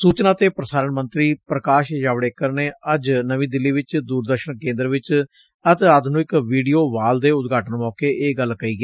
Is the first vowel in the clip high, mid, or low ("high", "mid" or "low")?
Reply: high